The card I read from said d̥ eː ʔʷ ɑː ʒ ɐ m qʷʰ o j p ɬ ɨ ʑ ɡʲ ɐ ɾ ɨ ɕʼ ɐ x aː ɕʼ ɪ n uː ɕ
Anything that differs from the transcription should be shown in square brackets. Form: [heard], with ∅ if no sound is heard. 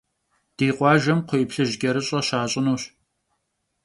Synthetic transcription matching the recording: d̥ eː [qʷ] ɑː ʒ ɐ m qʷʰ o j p ɬ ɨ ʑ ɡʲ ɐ ɾ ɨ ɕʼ ɐ [ɕ] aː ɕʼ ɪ n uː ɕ